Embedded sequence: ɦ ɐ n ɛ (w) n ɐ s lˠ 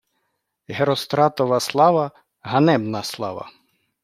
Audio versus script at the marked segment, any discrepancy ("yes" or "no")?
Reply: yes